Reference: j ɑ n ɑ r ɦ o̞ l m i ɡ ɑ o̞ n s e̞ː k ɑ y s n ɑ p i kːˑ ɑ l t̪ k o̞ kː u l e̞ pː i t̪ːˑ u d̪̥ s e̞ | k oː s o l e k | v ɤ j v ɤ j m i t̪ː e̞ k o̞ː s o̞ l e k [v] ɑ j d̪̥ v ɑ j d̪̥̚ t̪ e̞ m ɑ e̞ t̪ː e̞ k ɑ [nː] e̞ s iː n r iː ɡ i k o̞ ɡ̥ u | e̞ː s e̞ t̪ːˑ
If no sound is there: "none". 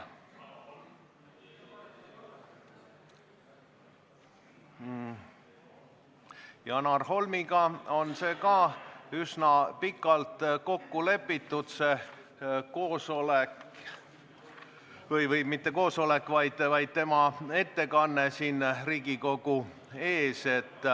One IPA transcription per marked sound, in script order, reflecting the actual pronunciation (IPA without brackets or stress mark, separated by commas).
v, nː